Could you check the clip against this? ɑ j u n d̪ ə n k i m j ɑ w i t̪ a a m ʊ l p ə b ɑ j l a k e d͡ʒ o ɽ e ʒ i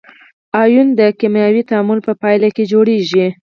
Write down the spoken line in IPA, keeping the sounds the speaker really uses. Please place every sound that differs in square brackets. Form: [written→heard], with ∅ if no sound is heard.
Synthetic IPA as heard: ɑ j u n d̪ ə [n→∅] k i m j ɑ w i t̪ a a m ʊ l p ə [b→p] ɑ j l a k e d͡ʒ o ɽ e ʒ i